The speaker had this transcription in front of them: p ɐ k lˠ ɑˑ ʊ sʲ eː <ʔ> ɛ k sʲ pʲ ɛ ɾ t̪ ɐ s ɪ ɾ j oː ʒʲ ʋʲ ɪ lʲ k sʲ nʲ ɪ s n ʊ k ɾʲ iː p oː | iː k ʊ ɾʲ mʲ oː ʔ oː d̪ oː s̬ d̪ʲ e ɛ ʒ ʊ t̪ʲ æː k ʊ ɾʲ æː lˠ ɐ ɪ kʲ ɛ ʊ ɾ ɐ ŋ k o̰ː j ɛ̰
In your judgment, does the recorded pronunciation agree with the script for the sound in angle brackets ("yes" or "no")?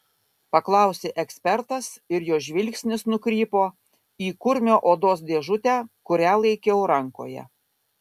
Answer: yes